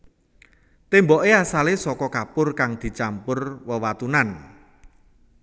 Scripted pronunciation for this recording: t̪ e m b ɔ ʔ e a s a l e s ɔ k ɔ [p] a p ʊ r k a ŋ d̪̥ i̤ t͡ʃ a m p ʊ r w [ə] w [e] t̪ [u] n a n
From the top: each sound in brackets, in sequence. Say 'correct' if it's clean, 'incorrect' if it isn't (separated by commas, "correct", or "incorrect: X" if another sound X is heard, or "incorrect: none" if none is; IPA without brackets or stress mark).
incorrect: k, correct, incorrect: a, correct